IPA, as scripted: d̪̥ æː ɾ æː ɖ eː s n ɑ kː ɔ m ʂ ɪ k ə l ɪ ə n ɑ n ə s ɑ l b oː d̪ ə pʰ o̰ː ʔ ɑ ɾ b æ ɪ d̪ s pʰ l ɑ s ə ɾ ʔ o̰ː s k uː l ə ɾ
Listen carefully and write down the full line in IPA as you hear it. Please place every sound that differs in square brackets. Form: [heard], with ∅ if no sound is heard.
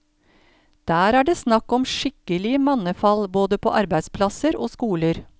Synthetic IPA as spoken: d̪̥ æː ɾ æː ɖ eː s n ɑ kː ɔ m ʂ ɪ k ə l ɪ ə [m] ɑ n ə [f] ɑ l b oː d̪ ə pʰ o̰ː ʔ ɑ ɾ b æ ɪ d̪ s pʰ l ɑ s ə ɾ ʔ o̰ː s k uː l ə ɾ